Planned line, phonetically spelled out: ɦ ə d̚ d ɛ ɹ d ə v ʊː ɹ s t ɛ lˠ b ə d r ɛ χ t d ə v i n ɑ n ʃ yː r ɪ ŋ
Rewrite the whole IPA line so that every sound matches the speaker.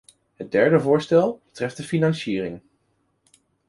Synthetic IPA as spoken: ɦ ə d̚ d ɛ ɹ d ə v ʊː ɹ s t ɛ lˠ b ə t r ɛ f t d ə f i n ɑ n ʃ iː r ɪ ŋ